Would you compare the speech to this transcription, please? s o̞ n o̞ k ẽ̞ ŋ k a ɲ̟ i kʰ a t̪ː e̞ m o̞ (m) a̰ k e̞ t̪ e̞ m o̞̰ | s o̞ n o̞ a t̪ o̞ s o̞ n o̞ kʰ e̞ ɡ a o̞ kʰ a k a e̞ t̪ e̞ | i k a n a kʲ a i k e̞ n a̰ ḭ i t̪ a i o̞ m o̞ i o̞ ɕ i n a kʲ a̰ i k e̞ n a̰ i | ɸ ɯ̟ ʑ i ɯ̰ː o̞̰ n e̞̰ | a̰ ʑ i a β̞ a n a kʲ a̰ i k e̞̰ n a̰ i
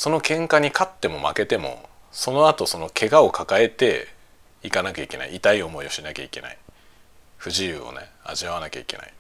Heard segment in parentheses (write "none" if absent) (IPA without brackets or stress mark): m